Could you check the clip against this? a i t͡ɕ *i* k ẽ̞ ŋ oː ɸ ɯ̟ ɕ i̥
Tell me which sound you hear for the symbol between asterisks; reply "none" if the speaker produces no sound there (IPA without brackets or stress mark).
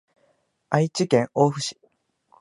i